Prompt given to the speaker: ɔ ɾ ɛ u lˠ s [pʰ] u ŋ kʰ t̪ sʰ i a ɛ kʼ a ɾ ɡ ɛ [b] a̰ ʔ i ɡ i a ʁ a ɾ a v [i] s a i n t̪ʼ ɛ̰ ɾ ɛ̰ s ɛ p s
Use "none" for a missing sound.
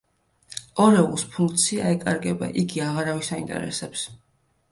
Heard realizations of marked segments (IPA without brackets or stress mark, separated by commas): pʰ, b, i